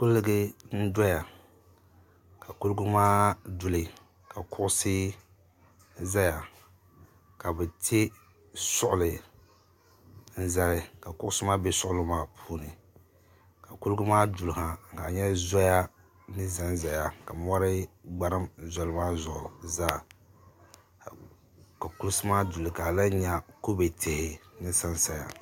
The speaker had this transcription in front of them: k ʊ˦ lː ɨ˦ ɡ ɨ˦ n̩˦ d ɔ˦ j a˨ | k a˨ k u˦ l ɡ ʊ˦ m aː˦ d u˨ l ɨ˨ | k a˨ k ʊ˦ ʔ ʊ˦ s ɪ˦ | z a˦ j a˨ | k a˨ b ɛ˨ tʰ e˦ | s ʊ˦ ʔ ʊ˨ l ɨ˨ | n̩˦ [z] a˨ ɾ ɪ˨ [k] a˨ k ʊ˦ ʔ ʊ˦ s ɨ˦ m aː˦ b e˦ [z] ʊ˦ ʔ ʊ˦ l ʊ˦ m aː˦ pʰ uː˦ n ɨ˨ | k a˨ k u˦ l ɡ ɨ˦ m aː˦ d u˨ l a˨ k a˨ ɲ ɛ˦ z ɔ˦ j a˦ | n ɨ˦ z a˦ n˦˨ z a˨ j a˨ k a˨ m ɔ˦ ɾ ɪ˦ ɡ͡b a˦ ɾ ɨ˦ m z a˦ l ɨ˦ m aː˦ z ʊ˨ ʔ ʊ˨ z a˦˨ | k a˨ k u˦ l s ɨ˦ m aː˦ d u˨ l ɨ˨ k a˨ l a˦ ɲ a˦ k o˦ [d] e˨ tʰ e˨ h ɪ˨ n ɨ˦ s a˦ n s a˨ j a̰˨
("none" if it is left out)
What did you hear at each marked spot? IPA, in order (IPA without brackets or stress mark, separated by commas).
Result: z, k, s, b